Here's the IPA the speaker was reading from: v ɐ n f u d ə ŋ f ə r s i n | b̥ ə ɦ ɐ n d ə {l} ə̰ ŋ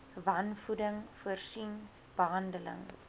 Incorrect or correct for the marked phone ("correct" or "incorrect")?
correct